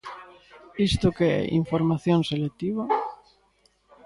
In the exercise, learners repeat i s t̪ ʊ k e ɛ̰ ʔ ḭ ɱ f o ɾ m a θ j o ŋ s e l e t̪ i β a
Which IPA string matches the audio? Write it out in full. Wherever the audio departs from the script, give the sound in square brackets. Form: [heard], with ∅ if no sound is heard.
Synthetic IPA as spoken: i s t̪ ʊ k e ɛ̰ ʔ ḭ ɱ f o ɾ m a θ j o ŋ s e l e t̪ i β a